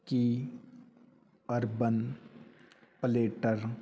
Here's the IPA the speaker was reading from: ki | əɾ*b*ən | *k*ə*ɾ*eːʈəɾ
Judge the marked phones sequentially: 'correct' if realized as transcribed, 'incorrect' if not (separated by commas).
correct, incorrect, incorrect